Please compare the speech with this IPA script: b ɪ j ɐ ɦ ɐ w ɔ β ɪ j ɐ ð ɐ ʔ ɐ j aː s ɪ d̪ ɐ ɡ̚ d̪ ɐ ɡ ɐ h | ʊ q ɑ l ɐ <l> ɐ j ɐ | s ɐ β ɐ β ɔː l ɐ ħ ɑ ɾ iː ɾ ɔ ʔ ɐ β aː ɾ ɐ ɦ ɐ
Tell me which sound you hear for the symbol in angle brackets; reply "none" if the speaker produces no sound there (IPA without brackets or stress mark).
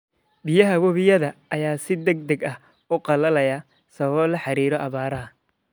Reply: l